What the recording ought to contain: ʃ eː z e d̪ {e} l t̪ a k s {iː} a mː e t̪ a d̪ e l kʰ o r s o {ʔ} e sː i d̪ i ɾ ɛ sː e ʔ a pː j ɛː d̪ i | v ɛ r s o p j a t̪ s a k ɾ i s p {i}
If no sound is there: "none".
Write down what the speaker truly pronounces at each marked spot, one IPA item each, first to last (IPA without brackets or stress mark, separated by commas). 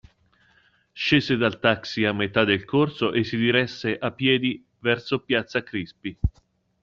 a, i, ʔ, i